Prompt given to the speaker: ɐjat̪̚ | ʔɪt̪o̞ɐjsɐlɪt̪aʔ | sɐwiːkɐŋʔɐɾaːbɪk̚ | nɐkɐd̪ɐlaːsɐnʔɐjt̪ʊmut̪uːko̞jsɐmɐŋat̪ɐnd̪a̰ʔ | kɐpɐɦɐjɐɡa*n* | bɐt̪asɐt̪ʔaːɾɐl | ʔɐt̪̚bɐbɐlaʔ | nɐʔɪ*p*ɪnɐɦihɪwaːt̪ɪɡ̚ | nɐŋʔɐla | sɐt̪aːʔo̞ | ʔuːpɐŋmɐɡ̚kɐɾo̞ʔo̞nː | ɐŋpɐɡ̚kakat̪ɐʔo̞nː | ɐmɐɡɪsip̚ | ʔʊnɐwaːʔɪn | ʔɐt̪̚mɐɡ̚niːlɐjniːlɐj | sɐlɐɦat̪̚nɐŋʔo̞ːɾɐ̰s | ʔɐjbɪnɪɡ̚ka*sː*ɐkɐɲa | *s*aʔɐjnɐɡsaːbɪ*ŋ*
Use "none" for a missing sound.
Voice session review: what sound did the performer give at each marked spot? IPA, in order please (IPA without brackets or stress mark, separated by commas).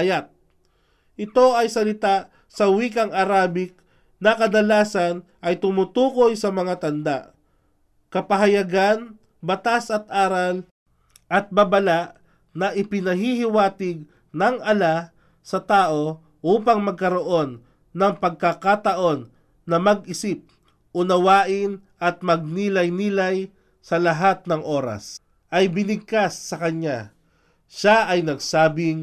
n, p, sː, ʃ, ŋ